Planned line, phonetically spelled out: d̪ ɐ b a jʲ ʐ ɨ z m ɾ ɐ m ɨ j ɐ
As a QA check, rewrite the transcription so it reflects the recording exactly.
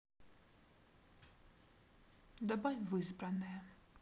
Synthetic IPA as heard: d̪ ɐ b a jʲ v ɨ z b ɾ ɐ n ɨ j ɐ

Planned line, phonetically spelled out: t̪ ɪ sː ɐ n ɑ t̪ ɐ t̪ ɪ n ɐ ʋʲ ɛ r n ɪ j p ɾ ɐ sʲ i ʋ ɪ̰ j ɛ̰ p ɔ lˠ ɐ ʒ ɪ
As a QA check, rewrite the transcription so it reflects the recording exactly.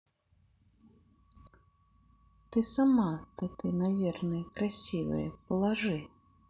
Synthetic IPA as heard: t̪ ɪ s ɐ m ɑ t̪ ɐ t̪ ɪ n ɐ ʋʲ i r n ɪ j k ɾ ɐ sʲ i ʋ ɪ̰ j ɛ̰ p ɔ lˠ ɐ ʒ ɪ

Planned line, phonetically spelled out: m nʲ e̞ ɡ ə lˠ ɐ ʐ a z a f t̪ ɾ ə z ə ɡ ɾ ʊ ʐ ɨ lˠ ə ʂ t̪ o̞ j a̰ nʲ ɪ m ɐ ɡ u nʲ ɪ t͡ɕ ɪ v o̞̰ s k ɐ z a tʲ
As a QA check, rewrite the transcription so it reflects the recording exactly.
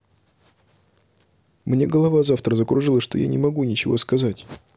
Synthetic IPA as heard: m nʲ e̞ ɡ ə lˠ ɐ v a z a f t̪ ɾ ə z ə k ɾ ʊ ʐ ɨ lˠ ə ʂ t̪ o̞ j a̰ nʲ ɪ m ɐ ɡ u nʲ ɪ t͡ɕ ɪ v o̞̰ s k ɐ z a tʲ

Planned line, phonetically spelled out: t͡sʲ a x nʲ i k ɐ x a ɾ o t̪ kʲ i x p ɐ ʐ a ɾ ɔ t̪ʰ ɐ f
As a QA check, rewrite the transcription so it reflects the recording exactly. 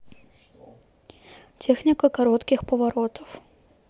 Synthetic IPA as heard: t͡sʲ ɛ x nʲ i k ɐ k a ɾ ɔ t̪ kʲ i x p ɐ v a ɾ ɔ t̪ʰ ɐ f

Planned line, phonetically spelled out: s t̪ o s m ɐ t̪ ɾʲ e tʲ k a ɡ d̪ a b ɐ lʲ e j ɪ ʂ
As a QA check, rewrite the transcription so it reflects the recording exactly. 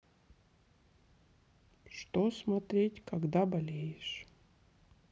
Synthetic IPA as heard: ʂ t̪ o s m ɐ t̪ ɾʲ e tʲ k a ɡ d̪ a b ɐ lʲ e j ɪ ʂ

